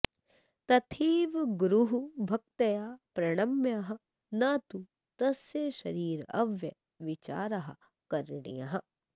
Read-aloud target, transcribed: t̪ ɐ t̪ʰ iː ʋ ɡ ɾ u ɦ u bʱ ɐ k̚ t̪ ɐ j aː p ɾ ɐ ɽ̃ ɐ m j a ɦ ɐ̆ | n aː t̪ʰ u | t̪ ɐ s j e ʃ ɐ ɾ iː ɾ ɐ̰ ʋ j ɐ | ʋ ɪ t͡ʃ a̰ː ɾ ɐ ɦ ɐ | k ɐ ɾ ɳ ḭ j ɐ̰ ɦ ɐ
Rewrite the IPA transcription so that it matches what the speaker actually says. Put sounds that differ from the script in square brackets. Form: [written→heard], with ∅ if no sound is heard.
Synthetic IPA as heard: t̪ ɐ t̪ʰ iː ʋ ɡ ɾ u ɦ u bʱ ɐ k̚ t̪ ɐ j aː p ɾ ɐ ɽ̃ ɐ m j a ɦ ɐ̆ | n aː [t̪ʰ→t̪] u | t̪ ɐ s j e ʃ ɐ ɾ iː ɾ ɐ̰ ʋ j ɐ | ʋ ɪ t͡ʃ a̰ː ɾ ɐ ɦ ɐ | k ɐ ɾ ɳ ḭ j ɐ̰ ɦ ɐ